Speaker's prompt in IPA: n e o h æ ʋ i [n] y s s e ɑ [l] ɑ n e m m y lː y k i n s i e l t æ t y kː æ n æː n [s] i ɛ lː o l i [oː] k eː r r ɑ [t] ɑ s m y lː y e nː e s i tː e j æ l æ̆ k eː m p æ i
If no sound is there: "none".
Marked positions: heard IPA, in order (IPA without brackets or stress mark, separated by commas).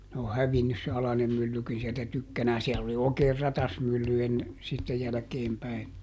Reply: nː, l, s, oː, t